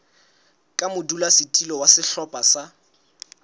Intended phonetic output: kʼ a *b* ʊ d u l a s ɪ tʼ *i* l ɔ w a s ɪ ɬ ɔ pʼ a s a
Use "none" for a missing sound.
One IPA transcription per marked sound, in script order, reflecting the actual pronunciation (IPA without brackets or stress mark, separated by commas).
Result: m, i